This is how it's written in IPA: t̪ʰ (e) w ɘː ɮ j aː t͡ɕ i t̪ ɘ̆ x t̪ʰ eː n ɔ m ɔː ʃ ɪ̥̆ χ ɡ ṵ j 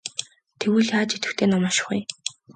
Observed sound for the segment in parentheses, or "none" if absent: e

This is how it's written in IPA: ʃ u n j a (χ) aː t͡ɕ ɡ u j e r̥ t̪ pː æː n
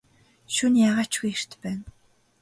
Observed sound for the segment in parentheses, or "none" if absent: ʁ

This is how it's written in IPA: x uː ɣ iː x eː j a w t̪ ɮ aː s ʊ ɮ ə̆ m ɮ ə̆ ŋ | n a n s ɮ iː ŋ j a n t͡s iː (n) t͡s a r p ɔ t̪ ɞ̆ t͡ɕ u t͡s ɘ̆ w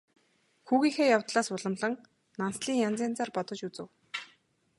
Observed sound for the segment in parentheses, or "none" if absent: n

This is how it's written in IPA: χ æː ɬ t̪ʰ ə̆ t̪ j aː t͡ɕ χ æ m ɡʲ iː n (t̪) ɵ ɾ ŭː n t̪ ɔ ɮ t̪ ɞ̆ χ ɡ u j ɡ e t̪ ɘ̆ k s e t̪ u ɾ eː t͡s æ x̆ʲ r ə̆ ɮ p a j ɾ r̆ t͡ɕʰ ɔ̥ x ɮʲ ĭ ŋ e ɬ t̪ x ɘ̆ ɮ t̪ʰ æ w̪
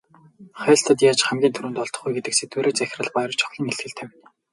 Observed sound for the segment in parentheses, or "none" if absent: t̪ʰ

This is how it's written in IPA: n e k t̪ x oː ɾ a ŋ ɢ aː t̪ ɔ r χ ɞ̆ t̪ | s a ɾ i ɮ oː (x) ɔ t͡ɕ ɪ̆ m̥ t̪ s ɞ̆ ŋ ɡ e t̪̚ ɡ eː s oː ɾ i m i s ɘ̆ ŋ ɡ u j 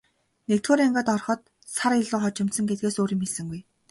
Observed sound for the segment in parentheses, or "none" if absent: χ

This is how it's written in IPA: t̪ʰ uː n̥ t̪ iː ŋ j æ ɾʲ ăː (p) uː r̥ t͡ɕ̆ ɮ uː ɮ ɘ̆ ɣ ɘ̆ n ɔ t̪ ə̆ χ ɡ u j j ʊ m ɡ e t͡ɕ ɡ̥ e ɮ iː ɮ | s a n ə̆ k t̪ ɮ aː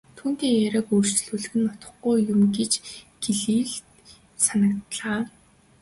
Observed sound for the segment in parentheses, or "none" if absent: k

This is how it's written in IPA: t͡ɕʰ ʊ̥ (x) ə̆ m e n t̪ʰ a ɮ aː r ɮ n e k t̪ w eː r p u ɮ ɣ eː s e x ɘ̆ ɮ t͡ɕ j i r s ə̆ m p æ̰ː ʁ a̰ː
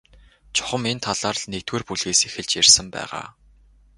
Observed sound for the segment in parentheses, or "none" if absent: χ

